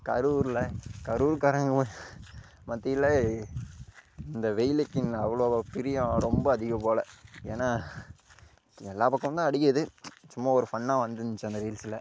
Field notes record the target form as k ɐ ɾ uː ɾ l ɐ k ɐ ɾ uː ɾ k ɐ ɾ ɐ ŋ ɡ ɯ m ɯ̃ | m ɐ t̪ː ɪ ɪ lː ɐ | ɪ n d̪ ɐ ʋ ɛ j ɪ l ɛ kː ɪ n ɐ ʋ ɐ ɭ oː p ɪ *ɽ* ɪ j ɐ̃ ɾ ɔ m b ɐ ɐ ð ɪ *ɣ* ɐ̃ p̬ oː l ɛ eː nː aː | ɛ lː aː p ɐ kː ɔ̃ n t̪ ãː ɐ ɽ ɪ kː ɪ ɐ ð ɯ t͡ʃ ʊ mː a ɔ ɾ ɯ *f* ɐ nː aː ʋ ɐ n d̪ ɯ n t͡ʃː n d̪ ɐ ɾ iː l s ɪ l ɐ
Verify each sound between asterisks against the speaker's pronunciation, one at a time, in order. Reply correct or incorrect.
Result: incorrect, correct, correct

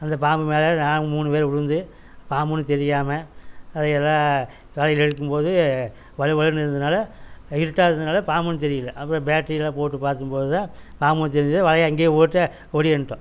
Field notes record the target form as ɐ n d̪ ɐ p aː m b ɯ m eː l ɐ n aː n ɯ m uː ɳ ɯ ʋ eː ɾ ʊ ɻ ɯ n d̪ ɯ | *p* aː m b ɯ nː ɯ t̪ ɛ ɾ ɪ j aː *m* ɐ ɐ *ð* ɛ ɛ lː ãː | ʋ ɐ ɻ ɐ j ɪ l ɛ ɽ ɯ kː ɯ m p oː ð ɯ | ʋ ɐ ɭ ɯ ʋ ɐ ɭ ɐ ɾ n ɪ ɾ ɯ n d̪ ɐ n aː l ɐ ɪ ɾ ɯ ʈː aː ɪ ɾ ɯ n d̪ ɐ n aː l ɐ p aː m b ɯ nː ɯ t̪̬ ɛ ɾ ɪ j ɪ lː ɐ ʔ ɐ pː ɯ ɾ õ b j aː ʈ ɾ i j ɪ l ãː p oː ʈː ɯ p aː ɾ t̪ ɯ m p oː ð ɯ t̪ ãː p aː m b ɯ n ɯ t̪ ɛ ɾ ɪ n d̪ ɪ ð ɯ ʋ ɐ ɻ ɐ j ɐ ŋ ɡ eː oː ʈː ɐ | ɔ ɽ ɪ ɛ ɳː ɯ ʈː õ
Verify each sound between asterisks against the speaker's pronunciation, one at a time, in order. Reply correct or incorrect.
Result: correct, correct, correct

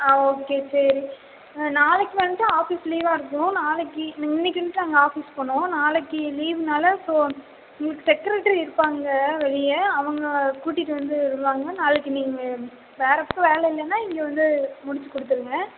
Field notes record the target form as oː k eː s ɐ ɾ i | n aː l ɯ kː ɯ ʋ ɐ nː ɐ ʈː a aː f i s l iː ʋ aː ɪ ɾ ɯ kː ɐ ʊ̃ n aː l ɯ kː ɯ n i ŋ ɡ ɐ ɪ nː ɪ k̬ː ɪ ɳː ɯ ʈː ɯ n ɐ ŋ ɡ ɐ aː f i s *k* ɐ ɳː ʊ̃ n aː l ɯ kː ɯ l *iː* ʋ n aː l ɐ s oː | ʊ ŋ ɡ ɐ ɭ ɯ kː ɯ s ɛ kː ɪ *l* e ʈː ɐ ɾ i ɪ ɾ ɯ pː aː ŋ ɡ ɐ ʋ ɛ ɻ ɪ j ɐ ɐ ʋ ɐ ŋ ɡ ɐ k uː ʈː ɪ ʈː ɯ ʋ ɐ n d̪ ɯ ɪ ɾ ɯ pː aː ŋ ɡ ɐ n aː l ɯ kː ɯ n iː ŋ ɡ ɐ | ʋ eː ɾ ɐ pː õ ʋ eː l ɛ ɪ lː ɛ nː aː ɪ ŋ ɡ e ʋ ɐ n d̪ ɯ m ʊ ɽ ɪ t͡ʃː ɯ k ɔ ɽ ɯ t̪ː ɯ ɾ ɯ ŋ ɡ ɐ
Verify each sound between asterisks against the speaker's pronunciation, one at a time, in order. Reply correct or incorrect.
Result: incorrect, correct, incorrect

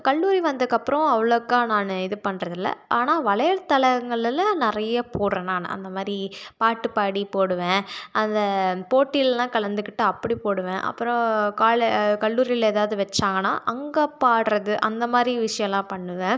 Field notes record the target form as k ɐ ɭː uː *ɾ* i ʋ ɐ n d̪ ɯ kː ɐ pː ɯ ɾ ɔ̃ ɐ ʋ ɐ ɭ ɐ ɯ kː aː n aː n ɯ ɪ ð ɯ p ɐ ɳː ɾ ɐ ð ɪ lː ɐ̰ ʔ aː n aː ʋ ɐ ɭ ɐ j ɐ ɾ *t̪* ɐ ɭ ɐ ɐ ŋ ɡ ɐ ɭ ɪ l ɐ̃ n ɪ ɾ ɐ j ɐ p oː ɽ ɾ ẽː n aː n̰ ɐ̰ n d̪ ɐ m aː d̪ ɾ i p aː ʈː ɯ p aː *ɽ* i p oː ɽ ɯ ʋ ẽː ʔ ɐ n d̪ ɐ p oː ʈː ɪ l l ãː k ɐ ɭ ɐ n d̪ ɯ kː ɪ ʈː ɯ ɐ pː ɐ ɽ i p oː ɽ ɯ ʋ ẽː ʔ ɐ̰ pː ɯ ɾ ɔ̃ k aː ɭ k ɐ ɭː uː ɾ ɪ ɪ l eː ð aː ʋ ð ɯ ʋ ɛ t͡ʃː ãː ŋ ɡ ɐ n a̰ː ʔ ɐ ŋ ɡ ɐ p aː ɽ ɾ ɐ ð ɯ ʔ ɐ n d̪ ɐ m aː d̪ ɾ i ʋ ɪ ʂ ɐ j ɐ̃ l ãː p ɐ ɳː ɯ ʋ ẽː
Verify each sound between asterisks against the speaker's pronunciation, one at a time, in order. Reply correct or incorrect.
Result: correct, correct, correct

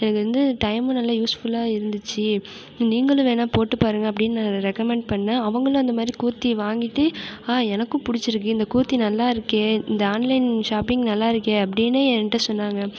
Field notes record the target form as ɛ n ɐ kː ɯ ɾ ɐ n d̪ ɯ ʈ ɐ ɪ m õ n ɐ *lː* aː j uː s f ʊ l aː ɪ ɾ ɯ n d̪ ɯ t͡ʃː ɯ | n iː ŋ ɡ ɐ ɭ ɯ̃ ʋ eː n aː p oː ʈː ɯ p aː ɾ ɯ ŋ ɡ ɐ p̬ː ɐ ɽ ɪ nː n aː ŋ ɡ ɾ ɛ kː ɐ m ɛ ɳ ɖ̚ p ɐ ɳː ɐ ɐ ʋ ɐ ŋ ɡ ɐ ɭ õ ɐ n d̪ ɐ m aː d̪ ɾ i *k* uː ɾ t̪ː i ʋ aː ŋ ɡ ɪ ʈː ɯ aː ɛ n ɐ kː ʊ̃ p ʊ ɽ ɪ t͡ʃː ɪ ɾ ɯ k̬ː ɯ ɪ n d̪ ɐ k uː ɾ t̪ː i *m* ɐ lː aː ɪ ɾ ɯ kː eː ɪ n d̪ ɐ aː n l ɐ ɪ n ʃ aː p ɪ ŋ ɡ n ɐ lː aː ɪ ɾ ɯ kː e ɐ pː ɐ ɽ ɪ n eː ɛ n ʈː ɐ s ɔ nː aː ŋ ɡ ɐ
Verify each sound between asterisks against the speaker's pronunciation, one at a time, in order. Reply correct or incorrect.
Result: correct, correct, incorrect

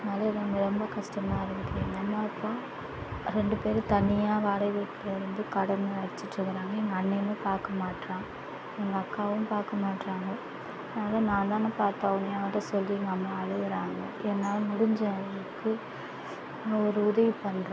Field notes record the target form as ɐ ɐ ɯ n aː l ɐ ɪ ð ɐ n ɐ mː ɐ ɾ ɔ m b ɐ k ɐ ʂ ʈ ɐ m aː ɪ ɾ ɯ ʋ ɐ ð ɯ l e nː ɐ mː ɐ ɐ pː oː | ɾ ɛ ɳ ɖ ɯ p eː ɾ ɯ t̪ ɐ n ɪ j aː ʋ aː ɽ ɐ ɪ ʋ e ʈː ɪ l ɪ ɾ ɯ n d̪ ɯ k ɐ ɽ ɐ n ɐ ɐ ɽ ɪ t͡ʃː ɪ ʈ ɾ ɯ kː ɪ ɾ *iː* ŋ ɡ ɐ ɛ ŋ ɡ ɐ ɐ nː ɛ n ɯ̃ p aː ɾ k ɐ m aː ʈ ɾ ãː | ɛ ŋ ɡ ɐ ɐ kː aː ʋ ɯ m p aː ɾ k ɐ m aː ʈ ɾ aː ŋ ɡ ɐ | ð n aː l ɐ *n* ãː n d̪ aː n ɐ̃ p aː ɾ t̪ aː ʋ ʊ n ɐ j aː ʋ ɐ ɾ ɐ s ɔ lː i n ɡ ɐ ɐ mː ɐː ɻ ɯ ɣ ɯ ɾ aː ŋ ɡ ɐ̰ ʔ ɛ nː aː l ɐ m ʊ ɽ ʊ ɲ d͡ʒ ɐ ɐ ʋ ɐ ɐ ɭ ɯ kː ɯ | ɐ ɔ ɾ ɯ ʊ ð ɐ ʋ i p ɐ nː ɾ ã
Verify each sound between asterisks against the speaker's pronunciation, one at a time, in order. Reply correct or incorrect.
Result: incorrect, correct

